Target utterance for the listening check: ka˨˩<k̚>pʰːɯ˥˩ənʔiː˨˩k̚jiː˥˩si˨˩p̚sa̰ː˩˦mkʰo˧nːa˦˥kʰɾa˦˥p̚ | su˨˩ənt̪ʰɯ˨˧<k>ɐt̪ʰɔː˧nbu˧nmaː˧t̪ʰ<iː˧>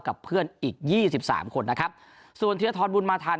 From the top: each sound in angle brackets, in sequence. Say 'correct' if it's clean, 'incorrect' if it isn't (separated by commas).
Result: incorrect, incorrect, incorrect